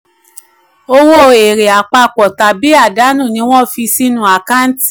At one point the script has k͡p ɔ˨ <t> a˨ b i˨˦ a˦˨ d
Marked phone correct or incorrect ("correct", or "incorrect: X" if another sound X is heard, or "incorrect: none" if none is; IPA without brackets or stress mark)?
correct